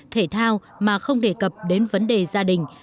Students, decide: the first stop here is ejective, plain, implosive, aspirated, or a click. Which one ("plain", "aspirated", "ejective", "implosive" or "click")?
aspirated